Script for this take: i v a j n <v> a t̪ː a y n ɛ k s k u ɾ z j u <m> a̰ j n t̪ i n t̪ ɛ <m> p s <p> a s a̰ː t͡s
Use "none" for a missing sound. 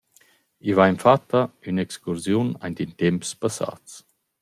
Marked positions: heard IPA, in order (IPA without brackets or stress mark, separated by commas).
f, n, m, p